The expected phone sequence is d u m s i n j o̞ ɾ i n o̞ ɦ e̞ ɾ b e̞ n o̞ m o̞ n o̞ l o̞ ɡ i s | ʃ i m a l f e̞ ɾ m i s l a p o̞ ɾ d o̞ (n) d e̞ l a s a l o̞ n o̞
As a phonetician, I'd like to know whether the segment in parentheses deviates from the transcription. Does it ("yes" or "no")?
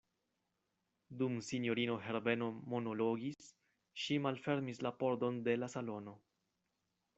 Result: no